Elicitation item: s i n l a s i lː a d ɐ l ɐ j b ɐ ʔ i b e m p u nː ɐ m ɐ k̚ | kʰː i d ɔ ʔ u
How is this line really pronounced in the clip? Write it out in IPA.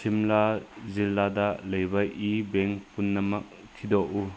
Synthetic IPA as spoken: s i m l a z i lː a d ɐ l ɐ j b ɐ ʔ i b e ŋ p u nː ɐ m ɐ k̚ | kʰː i d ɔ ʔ u